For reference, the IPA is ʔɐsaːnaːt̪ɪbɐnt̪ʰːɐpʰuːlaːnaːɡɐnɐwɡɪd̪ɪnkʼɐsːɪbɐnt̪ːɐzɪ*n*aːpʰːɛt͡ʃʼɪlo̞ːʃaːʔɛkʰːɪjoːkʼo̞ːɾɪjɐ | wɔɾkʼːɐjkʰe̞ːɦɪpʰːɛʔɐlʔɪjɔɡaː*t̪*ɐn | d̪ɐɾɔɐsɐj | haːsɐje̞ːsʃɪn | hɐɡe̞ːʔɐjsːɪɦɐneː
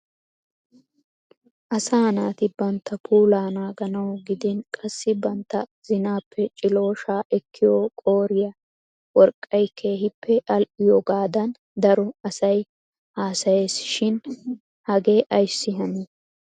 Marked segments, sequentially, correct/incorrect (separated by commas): correct, incorrect